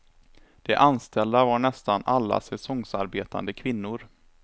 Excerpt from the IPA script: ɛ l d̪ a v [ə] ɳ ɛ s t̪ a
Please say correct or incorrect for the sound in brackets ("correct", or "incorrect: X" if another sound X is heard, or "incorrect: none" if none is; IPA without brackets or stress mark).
incorrect: a